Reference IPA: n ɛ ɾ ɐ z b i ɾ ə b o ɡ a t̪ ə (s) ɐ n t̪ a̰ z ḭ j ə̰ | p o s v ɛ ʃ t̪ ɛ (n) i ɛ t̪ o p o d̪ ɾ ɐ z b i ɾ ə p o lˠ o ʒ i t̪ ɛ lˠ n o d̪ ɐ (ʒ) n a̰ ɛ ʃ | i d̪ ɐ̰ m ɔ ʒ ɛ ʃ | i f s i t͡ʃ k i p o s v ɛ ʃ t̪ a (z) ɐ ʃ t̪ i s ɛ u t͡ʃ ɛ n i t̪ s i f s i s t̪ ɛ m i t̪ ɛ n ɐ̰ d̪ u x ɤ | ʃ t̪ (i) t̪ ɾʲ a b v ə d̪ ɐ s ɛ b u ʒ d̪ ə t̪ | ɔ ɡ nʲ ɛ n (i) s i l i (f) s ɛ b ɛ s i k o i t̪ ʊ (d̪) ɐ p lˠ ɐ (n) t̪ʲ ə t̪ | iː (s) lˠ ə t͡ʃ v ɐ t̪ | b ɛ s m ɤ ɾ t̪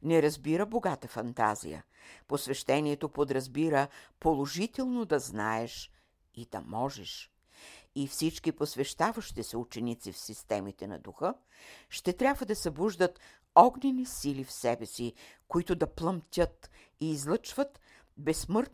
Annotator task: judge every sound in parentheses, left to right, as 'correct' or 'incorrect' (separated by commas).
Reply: incorrect, correct, incorrect, incorrect, incorrect, correct, correct, correct, incorrect, incorrect